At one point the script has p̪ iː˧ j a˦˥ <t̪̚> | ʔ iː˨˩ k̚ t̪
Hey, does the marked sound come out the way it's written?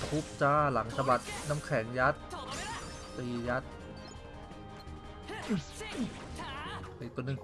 yes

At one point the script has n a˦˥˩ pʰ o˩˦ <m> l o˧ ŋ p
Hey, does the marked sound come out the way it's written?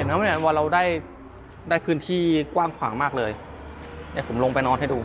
yes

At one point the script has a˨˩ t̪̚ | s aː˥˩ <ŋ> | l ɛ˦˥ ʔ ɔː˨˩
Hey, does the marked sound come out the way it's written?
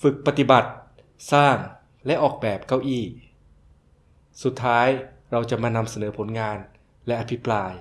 yes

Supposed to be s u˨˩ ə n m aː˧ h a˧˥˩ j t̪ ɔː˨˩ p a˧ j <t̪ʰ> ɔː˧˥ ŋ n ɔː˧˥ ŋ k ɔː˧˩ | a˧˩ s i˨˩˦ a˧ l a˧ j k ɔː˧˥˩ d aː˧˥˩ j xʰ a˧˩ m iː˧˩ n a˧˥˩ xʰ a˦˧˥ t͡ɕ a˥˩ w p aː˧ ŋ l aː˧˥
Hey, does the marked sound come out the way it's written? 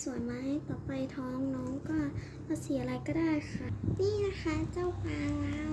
yes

